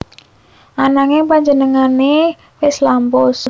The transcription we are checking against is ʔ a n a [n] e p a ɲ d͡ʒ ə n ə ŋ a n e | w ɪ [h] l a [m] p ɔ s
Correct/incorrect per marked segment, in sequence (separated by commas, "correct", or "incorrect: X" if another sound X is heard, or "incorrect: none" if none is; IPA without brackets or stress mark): incorrect: ŋ, incorrect: s, correct